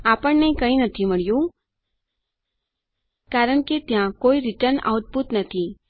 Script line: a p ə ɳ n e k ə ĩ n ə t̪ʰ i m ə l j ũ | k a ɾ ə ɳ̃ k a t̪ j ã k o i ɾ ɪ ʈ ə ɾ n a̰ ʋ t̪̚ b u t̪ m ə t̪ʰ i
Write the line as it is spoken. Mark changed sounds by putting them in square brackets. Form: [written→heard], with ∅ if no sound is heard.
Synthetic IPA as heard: a p ə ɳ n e k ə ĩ n ə t̪ʰ i m ə [l→ɭ] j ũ | k a ɾ ə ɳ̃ k [a→e] t̪ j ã k o i ɾ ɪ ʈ ə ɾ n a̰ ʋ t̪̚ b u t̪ [m→n] ə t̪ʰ i